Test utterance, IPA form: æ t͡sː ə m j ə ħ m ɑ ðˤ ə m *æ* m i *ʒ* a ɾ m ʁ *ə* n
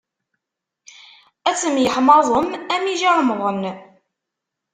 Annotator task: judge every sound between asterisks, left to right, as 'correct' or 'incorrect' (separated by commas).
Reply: correct, correct, correct